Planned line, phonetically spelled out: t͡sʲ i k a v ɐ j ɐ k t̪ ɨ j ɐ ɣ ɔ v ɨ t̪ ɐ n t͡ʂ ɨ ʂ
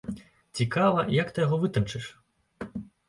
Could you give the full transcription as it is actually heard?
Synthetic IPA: t͡sʲ i k a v ɐ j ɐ k t̪ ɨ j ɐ ɣ ɔ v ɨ t̪ ɐ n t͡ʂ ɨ ʂ